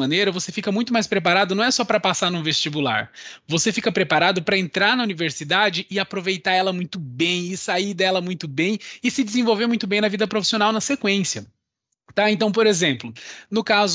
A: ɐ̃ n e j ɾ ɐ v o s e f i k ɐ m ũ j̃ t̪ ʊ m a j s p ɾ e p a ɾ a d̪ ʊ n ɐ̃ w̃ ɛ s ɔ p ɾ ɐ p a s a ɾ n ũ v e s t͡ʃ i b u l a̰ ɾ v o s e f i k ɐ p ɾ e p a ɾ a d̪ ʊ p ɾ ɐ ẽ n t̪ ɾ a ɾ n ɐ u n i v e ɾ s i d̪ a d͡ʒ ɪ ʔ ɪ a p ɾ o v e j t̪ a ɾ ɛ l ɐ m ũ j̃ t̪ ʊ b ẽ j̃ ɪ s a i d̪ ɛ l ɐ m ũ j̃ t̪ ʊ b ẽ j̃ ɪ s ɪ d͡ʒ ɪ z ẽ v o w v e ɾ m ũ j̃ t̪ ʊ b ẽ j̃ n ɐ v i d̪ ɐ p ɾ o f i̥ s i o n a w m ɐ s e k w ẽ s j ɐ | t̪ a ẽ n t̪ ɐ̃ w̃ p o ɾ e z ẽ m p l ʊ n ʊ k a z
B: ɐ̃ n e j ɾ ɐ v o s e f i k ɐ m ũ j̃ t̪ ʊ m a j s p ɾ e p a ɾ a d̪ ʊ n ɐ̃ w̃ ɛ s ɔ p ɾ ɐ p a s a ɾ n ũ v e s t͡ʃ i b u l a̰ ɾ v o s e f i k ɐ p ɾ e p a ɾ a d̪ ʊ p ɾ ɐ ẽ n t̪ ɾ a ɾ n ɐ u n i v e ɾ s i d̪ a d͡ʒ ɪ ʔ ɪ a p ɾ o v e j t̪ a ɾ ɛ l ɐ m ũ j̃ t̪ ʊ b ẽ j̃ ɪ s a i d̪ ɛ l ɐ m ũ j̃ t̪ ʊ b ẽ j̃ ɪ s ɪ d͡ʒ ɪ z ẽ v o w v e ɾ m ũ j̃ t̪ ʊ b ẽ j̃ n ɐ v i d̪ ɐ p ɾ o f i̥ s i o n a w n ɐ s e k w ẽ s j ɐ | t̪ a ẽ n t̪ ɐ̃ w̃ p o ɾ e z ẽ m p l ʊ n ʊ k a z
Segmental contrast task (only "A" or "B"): B